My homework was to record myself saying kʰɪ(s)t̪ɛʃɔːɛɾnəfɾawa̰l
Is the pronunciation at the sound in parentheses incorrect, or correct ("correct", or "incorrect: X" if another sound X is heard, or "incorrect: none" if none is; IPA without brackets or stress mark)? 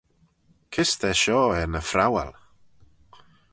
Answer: correct